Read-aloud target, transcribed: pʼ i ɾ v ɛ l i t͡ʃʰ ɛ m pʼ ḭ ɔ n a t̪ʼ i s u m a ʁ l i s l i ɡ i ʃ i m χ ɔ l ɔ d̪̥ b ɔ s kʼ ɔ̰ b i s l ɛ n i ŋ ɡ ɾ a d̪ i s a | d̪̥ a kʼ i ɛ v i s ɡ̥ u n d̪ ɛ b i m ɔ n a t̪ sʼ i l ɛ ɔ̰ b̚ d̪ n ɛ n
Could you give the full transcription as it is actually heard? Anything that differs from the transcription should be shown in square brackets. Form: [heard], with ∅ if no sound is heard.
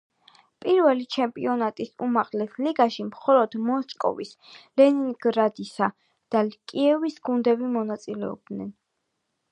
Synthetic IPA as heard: pʼ i ɾ v ɛ l i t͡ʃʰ ɛ m pʼ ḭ ɔ n a t̪ʼ i s u m a ʁ l [ɛ] s l i ɡ [a] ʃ i m χ ɔ l ɔ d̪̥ [m] ɔ s kʼ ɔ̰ [v] i s l ɛ n i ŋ ɡ ɾ a d̪ i s a | d̪̥ a kʼ i ɛ v i s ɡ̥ u n d̪ ɛ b i m ɔ n a t̪ sʼ i l ɛ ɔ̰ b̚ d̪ n ɛ n